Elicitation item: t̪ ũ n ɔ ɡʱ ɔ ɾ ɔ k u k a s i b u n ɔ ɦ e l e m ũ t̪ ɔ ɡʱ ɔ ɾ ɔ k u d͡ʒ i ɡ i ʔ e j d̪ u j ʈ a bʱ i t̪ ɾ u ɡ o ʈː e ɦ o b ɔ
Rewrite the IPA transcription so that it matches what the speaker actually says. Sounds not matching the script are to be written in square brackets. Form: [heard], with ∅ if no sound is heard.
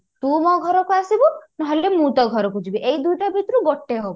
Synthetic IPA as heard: t̪ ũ [m] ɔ ɡʱ ɔ ɾ ɔ k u [∅] a s i b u n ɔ ɦ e l e m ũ t̪ ɔ ɡʱ ɔ ɾ ɔ k u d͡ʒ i [b] i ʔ e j d̪ u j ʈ a bʱ i t̪ ɾ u ɡ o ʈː e ɦ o b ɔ